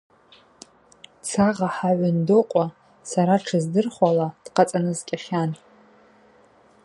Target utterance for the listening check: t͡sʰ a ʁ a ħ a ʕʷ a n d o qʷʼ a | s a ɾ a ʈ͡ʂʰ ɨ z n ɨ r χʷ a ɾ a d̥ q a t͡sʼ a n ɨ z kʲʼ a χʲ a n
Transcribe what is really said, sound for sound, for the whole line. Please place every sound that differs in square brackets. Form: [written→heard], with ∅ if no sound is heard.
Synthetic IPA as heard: t͡sʰ a ʁ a ħ a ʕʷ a n d o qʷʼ a | s a ɾ a ʈ͡ʂʰ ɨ z [n→d] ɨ r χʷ a [ɾ→l] a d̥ q a t͡sʼ a n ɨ z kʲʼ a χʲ a n